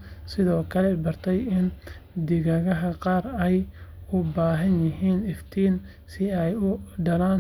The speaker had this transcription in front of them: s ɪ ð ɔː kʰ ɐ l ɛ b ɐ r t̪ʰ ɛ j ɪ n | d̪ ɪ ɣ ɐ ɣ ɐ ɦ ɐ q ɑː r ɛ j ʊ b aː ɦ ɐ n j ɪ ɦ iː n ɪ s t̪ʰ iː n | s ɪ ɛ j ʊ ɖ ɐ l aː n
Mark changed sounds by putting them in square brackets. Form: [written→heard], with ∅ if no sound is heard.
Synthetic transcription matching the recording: s ɪ ð ɔː kʰ ɐ l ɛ b ɐ r t̪ʰ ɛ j ɪ n | d̪ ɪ ɣ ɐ ɣ ɐ ɦ ɐ q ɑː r ɛ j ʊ b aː ɦ ɐ n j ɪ ɦ iː n ɪ [s→f] t̪ʰ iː n | s ɪ ɛ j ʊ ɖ ɐ l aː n